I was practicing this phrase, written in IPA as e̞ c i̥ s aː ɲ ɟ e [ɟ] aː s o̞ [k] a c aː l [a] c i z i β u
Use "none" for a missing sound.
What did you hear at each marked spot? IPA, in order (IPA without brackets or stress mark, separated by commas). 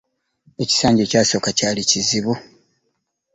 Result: c, k, i